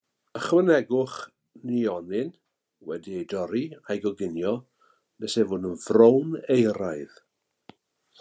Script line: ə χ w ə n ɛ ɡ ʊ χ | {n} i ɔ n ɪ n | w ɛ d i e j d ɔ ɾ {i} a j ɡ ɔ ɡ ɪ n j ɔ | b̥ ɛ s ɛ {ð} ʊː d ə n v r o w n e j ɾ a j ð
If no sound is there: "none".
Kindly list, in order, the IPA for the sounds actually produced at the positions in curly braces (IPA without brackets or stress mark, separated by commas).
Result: n, i, v